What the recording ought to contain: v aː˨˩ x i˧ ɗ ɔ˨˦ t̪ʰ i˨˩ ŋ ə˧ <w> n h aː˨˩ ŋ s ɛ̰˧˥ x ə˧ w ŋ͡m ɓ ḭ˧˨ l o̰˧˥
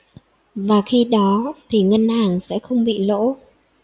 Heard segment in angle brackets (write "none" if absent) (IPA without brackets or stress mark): none